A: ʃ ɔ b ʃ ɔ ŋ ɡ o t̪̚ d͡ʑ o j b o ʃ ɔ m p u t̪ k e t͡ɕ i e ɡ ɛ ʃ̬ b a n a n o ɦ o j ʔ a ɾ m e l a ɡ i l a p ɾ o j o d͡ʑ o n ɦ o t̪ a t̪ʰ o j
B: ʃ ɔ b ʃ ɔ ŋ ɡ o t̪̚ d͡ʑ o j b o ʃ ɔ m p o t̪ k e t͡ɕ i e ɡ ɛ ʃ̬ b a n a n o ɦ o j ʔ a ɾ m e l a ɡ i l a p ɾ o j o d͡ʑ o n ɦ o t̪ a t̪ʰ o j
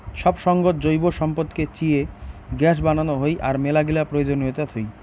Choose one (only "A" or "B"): B